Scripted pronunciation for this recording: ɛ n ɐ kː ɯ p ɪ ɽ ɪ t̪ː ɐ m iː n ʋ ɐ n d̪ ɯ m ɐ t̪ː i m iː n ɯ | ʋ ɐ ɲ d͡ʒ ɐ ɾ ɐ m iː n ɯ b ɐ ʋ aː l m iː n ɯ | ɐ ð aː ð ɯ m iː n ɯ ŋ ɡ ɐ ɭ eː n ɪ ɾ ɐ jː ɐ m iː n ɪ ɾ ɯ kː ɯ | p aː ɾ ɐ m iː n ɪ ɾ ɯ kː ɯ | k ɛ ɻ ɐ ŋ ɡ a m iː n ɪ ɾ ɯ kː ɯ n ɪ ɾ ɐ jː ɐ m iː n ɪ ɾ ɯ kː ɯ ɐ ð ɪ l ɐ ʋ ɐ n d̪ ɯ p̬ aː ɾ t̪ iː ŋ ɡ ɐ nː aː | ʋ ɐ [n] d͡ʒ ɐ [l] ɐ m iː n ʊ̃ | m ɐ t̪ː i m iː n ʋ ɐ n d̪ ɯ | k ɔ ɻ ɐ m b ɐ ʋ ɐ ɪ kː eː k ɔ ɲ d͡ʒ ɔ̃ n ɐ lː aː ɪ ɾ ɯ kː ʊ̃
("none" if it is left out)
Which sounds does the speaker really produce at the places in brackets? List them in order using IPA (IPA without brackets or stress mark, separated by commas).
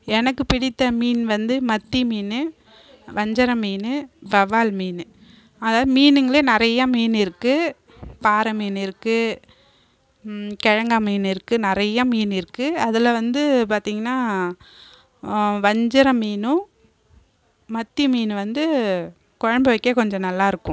ɲ, ɾ